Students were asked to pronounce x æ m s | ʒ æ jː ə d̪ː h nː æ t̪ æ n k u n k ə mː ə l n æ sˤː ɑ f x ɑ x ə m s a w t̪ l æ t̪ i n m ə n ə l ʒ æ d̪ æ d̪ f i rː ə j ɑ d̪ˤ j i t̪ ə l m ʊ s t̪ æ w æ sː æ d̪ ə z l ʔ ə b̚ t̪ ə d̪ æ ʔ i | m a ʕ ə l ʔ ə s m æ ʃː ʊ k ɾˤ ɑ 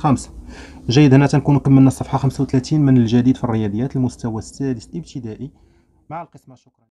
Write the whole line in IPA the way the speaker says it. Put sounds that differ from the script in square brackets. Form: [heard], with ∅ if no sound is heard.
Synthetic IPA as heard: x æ m s | ʒ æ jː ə [d̪] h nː æ t̪ æ n k u n k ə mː ə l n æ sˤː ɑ f [ħ] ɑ x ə m s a w t̪ l æ t̪ i n m ə n ə l ʒ æ d̪ [i] d̪ f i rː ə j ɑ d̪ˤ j [æ] t̪ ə l m ʊ s t̪ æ w æ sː æ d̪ ə [s] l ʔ ə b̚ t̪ ə d̪ æ ʔ i | m a ʕ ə l [q] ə s m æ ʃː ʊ k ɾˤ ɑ

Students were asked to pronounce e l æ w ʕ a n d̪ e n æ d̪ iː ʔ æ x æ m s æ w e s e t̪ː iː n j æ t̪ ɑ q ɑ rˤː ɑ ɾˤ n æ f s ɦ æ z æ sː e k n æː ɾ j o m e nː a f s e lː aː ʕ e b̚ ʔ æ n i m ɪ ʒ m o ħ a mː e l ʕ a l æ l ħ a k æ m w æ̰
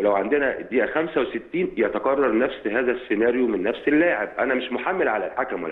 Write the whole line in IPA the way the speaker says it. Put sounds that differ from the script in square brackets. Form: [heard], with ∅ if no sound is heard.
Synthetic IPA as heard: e l æ w ʕ a n d̪ e n æ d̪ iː ʔ æ x æ m s æ w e s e t̪ː iː n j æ t̪ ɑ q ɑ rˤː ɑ ɾˤ n æ f s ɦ [æː] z æ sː e [∅] n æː ɾ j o m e nː [æ] f s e lː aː ʕ e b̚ ʔ æ n [æ] m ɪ [ʃ] m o ħ a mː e l ʕ a l æ l ħ a k æ m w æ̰

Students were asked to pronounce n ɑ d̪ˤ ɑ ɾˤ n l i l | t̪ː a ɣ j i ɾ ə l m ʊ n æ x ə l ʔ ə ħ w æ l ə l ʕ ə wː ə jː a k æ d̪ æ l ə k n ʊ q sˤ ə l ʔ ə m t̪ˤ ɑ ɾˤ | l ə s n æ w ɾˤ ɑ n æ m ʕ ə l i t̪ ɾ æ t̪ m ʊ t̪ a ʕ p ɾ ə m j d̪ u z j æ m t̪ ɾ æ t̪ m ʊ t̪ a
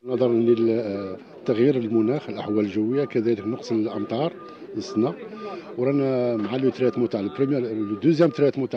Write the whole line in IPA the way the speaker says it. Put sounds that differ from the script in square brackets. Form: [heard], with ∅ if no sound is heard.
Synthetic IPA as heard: n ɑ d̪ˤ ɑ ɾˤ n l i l | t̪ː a ɣ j i ɾ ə l m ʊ n æ x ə l ʔ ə ħ w æ l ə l [ʒ] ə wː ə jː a k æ d̪ æ l ə k n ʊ q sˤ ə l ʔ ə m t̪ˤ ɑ ɾˤ | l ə s n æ w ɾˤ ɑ n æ m ʕ [a] l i t̪ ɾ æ t̪ m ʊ t̪ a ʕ p ɾ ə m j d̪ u z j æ m t̪ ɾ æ t̪ m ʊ t̪ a

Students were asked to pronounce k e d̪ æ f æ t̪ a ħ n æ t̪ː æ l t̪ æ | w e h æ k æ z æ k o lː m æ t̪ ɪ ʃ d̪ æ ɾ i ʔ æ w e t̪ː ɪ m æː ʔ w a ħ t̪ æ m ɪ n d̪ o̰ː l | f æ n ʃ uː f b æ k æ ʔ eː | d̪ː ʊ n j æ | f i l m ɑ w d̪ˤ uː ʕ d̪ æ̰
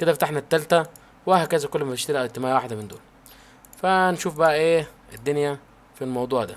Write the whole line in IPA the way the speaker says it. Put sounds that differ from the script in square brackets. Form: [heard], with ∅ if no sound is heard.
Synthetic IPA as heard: k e d̪ æ f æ t̪ a ħ n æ t̪ː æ l t̪ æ | w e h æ k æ z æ k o lː m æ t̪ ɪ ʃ [t̪] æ ɾ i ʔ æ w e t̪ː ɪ m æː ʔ w a ħ [d̪] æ m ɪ n d̪ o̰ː l | f æ n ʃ uː f b æ [ʔ] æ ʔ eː | d̪ː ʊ n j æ | f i l m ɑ w d̪ˤ uː ʕ d̪ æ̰

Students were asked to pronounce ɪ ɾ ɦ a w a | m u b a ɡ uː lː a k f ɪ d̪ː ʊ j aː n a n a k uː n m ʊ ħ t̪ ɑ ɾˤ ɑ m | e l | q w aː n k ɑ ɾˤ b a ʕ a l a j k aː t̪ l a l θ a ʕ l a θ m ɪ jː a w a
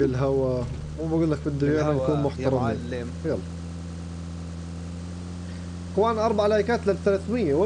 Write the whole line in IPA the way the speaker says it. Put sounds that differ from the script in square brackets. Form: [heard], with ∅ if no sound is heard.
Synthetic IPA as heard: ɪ [l] ɦ a w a | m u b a ɡ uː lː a k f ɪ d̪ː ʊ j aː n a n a k uː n m ʊ ħ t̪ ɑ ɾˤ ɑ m | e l | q w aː n [ʔ] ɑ ɾˤ b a ʕ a l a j k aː t̪ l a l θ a [∅] l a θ m ɪ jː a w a

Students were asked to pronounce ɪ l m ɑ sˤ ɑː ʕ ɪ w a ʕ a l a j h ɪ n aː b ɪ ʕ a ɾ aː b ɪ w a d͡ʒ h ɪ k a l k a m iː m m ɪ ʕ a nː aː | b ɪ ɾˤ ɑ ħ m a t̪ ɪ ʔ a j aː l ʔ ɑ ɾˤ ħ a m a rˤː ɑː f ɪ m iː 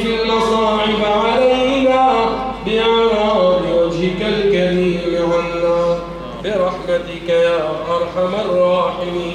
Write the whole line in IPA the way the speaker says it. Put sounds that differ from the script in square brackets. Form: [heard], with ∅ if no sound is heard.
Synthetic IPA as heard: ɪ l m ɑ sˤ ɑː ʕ ɪ [b] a ʕ a l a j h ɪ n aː b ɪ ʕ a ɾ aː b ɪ w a d͡ʒ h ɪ k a l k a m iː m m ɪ ʕ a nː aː | b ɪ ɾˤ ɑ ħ m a t̪ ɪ [k] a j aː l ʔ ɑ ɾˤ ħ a m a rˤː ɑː [ħ] ɪ m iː

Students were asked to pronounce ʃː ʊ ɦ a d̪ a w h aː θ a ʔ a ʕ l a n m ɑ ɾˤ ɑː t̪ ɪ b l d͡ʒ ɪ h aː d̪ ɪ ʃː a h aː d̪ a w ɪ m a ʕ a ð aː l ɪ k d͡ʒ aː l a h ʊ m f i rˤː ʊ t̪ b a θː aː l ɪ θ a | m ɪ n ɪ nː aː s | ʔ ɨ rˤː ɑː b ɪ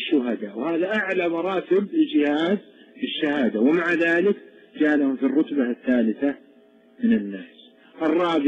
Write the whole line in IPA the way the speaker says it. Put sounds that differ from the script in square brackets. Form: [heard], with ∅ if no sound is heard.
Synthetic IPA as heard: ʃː ʊ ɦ a d̪ a w h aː [ð] a ʔ a ʕ l a [∅] m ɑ ɾˤ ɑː t̪ ɪ b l d͡ʒ ɪ h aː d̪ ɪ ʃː a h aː d̪ a w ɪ m a ʕ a ð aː l ɪ k d͡ʒ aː l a h ʊ m f i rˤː ʊ t̪ b a θː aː l ɪ θ a | m ɪ n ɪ nː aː s | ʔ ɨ rˤː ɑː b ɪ

